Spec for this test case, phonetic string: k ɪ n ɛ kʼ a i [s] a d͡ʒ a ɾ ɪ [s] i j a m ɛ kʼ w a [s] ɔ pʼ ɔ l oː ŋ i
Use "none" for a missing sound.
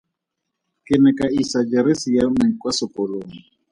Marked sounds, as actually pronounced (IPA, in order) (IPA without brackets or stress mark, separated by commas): s, s, s